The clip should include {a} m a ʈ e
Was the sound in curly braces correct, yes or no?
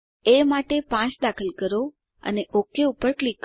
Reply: no